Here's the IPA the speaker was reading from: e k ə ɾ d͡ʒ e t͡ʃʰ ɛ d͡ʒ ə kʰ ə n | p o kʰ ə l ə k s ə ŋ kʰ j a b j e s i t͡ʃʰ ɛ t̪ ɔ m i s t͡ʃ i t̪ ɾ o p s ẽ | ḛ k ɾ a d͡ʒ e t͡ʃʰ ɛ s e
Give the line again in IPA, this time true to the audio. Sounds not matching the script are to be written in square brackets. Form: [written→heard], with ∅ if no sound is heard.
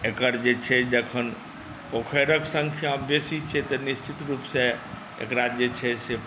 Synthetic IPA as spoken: e k ə ɾ d͡ʒ e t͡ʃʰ ɛ d͡ʒ ə kʰ ə n | p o kʰ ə [l→ɾ] ə k s ə ŋ kʰ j a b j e s i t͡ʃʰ ɛ t̪ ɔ [m→n] i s t͡ʃ i t̪ ɾ [o→u] p s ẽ | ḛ k ɾ a d͡ʒ e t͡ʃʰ ɛ s e